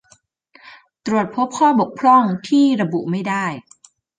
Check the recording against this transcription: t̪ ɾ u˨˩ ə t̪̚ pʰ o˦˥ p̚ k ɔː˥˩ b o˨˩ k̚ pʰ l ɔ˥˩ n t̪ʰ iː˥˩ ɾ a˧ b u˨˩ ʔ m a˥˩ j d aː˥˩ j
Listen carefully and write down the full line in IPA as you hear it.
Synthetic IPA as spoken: t̪ ɾ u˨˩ ə t̪̚ pʰ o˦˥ p̚ kʰ ɔː˥˩ b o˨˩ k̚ pʰ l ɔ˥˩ ŋ t̪ʰ iː˥˩ ɾ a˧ b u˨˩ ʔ m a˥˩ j d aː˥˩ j